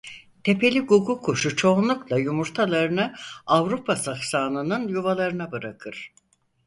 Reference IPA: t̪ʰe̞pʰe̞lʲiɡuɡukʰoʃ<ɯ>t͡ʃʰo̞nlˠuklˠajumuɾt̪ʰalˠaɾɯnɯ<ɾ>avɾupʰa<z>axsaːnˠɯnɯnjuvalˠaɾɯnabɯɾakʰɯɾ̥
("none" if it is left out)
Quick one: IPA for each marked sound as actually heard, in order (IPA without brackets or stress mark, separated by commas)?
u, none, s